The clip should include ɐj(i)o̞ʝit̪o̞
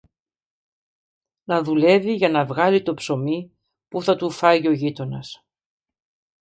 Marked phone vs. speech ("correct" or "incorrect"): correct